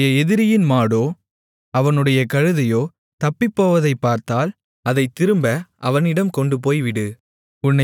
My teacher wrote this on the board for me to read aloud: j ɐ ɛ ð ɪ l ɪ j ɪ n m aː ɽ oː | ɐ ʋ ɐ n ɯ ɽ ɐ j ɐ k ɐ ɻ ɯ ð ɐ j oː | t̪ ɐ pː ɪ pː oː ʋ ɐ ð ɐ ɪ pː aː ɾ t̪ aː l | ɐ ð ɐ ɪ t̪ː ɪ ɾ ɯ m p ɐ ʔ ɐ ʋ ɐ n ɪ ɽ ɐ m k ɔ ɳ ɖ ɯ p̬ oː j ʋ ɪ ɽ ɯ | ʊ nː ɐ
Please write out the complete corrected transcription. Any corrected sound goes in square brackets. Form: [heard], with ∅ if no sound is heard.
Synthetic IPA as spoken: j ɐ ɛ ð ɪ [ɾ] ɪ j ɪ n m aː ɽ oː | ɐ ʋ ɐ n ɯ ɽ ɐ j ɐ k ɐ ɻ ɯ ð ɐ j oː | t̪ ɐ pː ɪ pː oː ʋ ɐ ð ɐ ɪ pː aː ɾ t̪ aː l | ɐ ð ɐ ɪ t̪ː ɪ ɾ ɯ m [b] ɐ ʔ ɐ ʋ ɐ n ɪ ɽ ɐ m k ɔ ɳ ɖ ɯ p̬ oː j ʋ ɪ ɽ ɯ | ʊ nː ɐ